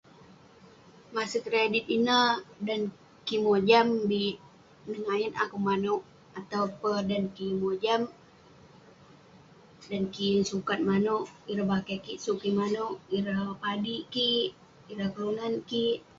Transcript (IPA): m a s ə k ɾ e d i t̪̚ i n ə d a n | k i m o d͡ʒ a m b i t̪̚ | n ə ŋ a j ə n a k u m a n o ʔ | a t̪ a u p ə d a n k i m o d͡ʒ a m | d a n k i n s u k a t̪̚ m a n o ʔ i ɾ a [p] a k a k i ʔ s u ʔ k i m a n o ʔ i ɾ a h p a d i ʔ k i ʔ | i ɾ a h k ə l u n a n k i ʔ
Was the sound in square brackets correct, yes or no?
no